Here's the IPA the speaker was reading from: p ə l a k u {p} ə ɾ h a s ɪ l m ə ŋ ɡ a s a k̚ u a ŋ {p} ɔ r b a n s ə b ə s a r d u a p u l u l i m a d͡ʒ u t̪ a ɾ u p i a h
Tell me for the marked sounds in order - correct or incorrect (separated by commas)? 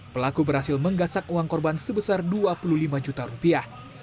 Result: incorrect, incorrect